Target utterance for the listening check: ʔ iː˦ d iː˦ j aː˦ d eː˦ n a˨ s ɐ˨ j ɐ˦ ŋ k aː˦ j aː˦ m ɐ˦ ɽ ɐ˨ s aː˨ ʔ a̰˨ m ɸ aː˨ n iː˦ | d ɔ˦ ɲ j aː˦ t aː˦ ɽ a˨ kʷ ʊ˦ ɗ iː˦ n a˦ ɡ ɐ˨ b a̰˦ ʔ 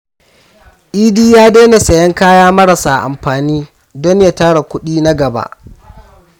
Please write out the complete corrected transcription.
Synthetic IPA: ʔ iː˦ d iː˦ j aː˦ d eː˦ n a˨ s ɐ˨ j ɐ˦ ŋ k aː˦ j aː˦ m ɐ˦ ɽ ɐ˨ s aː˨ ʔ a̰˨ m ɸ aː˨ n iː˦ | d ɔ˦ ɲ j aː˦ t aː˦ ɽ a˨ kʷ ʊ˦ ɗ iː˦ n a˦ ɡ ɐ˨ b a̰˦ ʔ

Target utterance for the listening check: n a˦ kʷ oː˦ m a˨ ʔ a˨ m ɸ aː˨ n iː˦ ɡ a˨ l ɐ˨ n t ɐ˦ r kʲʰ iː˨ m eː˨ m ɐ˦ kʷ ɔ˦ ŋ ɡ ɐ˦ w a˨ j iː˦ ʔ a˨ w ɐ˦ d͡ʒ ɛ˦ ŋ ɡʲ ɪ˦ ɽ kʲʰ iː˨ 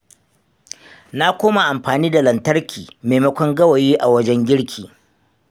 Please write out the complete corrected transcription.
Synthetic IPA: n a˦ kʷ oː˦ m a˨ ʔ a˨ m ɸ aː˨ n iː˦ d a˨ l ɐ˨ n t ɐ˦ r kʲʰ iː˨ m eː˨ m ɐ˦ kʷ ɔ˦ ŋ ɡ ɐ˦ w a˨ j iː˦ ʔ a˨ w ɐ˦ d͡ʒ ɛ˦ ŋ ɡʲ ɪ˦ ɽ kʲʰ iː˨

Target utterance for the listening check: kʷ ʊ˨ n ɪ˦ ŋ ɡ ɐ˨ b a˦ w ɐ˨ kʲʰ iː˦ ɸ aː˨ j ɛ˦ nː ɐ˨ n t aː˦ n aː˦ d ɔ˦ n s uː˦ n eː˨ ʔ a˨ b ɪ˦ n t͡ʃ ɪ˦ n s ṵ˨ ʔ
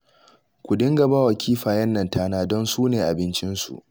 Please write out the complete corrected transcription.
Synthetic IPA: kʷ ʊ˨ d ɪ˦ ŋ ɡ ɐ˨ b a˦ w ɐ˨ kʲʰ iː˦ ɸ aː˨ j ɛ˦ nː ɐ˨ n t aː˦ n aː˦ d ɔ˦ n s uː˦ n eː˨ ʔ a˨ b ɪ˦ n t͡ʃ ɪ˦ n s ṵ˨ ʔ

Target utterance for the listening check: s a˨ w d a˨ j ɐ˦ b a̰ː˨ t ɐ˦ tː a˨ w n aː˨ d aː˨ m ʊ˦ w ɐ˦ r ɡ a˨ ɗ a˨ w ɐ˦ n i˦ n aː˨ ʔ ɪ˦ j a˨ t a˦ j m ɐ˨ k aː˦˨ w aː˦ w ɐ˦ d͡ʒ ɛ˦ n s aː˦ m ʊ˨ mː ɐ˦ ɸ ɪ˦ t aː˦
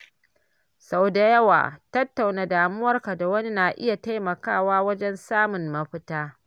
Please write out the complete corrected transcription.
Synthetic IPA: s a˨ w d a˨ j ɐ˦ w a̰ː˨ t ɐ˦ tː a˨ w n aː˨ d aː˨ m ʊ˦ w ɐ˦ r k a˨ d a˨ w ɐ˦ n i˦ n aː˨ ʔ ɪ˦ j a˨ t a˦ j m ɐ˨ k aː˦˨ w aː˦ w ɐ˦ d͡ʒ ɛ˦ n s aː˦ m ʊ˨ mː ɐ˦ ɸ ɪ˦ t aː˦

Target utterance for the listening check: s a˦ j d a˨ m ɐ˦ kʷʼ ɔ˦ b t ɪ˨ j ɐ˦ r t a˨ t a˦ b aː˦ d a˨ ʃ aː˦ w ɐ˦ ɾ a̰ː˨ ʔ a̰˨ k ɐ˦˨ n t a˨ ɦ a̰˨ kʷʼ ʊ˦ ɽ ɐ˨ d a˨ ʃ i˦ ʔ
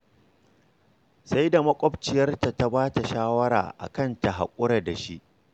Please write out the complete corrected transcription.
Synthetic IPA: s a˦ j d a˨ m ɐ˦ kʷʼ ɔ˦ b t͡ʃ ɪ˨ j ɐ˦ r t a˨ t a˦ b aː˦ t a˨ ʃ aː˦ w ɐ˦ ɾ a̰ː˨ ʔ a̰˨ k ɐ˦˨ n t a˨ ɦ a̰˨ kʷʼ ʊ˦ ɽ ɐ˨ d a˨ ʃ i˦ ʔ

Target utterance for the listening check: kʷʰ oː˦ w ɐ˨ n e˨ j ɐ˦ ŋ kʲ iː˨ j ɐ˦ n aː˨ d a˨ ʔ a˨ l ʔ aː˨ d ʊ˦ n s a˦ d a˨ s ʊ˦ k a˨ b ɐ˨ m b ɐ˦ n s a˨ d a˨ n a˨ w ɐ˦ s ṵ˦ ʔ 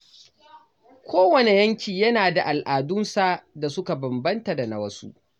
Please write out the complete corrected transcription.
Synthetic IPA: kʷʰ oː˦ w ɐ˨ n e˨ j ɐ˦ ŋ kʲ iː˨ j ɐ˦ n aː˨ d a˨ ʔ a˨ l ʔ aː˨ d ʊ˦ n s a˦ d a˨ s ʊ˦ k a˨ b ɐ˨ m b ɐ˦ n t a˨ d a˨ n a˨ w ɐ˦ s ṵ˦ ʔ

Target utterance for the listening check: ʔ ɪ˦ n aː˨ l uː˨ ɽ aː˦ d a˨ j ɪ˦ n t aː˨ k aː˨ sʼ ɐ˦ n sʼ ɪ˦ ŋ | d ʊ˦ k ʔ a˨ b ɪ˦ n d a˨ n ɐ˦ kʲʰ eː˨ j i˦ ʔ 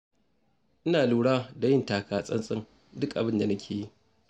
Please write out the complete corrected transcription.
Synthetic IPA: ʔ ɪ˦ n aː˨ l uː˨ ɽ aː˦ d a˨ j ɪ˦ n t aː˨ k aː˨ sʼ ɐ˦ n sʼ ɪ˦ ŋ | d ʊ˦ k ʔ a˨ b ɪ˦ n d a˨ n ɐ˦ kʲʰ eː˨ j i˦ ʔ

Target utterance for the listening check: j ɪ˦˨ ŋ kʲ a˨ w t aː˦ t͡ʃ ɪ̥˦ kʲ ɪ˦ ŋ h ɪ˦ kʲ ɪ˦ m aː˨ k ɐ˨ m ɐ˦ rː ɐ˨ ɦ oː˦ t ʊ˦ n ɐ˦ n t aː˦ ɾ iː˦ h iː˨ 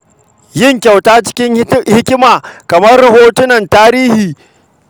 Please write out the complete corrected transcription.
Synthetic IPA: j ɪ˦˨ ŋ kʲ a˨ w t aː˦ t͡ʃ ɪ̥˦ kʲ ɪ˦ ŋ h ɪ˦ kʲ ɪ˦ m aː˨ k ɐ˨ m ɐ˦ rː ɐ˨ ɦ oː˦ t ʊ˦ n ɐ˨ n t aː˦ ɾ iː˦ h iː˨

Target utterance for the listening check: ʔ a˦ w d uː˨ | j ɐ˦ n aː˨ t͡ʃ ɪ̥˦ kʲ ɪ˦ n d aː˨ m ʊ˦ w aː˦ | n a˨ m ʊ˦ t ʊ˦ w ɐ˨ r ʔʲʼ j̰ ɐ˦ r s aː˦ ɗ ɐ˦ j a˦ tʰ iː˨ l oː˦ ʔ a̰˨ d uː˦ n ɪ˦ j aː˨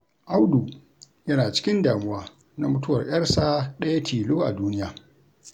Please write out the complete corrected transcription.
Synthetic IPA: ʔ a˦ w d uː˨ | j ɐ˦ n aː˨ t͡ʃ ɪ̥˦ kʲ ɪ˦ n d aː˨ m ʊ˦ w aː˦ | n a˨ m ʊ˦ t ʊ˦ w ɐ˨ r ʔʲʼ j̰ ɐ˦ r s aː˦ ɗ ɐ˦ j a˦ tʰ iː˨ l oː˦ ʔ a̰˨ d uː˦ n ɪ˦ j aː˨

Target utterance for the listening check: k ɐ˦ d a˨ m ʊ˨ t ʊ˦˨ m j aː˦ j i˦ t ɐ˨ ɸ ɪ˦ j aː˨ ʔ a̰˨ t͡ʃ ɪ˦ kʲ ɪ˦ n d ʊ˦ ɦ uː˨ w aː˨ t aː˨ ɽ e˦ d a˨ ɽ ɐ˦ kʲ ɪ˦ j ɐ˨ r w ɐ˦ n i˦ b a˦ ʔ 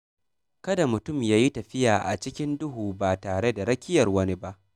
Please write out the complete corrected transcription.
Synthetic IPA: k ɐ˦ d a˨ m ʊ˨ t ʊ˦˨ m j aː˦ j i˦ t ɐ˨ ɸ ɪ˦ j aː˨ ʔ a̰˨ t͡ʃ ɪ˦ kʲ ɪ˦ n d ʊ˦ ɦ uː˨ b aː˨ t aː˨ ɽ e˦ d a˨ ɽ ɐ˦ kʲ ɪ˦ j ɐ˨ r w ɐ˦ n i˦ b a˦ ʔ

